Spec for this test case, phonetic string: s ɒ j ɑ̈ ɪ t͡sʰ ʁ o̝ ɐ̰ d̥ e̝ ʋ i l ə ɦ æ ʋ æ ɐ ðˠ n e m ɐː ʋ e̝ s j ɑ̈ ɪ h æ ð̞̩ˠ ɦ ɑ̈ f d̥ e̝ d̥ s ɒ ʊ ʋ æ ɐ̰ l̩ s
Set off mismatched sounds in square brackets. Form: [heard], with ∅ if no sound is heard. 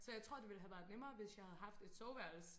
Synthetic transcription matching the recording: s ɒ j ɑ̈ ɪ t͡sʰ ʁ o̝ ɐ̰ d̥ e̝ ʋ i l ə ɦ æ ʋ æ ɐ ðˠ n e m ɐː ʋ e̝ s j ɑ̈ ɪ h æ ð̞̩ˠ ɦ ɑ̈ f d̥ e̝ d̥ s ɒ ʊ ʋ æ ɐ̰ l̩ s